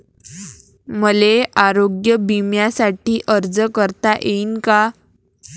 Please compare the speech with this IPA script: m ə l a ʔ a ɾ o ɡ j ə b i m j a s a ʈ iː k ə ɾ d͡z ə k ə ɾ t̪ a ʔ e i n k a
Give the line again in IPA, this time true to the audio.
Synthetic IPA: m ə l e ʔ a ɾ o ɡ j ə b i m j a s a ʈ iː ʔ ə ɾ d͡z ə k ə ɾ t̪ a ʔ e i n k a